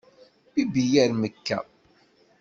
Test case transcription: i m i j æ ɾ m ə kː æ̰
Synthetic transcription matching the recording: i b i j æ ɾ m ə kː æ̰